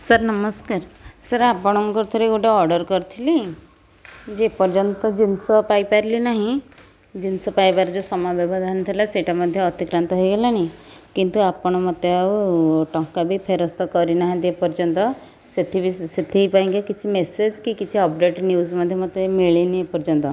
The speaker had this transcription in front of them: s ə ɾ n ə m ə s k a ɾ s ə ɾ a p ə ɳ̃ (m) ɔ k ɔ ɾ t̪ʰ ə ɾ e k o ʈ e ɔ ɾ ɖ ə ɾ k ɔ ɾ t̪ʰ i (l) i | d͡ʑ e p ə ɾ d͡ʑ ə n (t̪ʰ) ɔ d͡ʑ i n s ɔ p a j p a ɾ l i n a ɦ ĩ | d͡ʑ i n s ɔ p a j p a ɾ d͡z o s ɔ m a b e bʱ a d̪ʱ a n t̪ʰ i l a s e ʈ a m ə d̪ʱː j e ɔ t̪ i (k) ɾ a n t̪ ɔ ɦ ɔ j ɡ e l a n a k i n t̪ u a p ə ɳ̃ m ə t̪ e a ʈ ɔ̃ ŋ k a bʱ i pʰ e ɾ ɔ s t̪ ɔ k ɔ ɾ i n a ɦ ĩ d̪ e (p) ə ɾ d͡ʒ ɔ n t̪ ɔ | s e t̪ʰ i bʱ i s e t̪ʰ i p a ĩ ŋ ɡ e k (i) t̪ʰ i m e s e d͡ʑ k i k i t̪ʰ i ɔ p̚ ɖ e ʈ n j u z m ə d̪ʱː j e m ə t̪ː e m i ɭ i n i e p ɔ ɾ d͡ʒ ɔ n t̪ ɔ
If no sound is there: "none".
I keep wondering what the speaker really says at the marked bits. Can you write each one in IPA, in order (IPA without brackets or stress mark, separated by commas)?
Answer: m, l, t̪, k, p, i